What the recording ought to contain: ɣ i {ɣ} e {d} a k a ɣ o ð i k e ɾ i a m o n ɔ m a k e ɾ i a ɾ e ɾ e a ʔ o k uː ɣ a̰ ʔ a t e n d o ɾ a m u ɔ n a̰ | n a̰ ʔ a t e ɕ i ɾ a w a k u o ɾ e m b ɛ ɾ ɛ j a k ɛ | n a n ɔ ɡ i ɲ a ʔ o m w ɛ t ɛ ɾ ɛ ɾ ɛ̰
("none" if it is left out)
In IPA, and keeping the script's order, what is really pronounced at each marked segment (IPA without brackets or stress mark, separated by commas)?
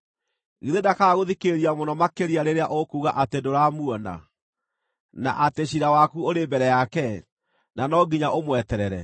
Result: ð, d